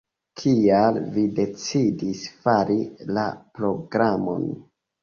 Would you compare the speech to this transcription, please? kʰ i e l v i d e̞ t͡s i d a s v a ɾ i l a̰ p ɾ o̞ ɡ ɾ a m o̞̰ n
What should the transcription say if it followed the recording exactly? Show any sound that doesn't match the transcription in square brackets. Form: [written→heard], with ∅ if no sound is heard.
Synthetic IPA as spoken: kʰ i [e→a] l v i d e̞ t͡s i d [a→i] s [v→f] a ɾ i l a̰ p ɾ o̞ ɡ ɾ a m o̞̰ n